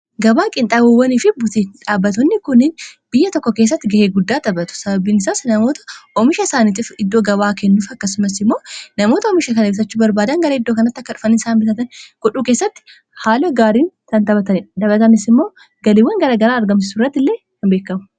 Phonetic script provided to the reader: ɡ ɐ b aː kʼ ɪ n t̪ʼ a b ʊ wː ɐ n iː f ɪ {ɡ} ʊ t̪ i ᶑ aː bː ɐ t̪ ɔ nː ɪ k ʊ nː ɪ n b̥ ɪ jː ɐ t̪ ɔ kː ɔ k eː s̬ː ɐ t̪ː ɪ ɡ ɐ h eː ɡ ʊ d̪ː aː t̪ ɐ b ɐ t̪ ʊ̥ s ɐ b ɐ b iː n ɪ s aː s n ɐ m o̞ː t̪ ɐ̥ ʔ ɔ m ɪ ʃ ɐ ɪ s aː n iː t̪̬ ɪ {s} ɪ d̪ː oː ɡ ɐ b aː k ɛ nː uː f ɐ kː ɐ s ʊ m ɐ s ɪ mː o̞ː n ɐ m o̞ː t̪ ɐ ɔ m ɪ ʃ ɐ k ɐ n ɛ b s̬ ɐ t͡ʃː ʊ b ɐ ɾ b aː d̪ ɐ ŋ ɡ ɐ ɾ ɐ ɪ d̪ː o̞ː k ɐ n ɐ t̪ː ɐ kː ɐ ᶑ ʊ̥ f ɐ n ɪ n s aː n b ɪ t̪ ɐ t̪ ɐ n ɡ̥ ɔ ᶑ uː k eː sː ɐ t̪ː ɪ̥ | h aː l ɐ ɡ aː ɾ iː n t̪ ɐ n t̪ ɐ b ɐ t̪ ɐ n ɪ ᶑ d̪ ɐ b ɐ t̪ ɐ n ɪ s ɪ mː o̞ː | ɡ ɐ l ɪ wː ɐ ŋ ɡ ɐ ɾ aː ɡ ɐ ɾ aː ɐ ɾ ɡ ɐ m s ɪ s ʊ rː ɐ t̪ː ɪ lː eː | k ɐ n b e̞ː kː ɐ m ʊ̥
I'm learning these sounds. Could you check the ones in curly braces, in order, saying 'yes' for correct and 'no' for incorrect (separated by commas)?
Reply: no, no